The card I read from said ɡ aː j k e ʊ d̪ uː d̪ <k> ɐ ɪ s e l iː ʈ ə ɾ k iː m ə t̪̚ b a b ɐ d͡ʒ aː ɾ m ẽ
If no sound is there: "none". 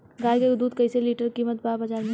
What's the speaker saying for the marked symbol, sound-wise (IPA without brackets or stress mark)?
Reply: k